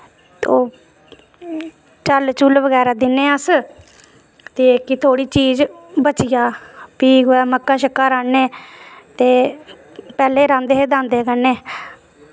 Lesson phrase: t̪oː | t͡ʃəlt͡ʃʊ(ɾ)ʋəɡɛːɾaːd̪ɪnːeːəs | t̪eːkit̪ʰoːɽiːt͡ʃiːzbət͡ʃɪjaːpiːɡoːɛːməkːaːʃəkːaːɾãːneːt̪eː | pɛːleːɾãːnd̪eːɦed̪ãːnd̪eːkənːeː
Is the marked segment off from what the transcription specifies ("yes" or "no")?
yes